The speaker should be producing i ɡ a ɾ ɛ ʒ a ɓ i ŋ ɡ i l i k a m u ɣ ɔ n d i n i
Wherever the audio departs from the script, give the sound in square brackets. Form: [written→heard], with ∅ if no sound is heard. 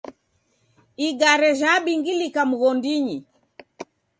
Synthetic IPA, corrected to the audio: i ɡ a ɾ ɛ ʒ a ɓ i ŋ ɡ i l i k a m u ɣ ɔ n d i [n→ɲ] i